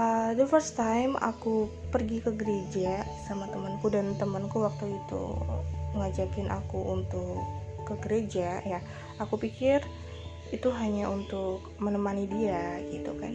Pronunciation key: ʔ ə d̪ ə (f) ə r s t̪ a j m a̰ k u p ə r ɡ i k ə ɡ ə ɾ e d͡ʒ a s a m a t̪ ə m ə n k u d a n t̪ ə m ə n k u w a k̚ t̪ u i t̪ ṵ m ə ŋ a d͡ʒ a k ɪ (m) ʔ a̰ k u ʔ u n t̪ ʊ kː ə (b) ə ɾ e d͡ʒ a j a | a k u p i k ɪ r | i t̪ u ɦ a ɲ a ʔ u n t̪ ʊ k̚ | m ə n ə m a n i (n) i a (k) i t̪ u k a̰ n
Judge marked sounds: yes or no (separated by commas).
yes, no, no, no, no